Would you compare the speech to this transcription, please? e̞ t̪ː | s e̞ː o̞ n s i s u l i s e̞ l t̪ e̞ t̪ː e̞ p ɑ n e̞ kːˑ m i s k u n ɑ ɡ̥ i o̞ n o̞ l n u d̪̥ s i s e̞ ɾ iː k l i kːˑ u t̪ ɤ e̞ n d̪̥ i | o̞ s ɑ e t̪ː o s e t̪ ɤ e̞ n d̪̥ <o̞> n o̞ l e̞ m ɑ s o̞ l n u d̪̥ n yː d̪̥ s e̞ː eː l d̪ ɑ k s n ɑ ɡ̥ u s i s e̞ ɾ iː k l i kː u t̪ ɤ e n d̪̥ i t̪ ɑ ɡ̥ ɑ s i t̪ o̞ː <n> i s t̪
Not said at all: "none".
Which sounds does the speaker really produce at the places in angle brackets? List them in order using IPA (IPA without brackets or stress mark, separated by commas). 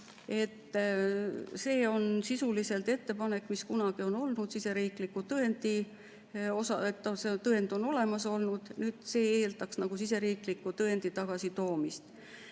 o̞, m